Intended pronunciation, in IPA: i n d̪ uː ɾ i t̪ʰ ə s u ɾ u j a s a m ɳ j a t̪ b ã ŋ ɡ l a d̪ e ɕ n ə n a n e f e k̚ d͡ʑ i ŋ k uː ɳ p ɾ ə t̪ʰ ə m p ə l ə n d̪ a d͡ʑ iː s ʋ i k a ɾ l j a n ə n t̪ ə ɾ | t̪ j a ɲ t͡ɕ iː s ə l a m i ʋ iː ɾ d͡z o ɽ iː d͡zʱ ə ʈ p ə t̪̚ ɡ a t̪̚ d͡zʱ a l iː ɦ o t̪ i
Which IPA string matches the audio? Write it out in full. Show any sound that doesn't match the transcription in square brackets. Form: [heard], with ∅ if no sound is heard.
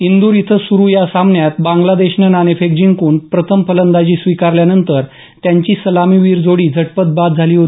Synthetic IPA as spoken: i n d̪ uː ɾ i t̪ʰ ə s u ɾ u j a s a m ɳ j a t̪ b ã ŋ ɡ l a d̪ e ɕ n ə n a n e f e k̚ d͡ʑ i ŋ k uː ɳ p ɾ ə t̪ʰ ə m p ə l ə n d̪ a d͡ʑ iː s ʋ i k a ɾ l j a n ə n t̪ ə ɾ | t̪ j a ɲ t͡ɕ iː s ə l a m i ʋ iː ɾ d͡z o ɽ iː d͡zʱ ə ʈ p ə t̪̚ [b] a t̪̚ d͡zʱ a l iː ɦ o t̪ i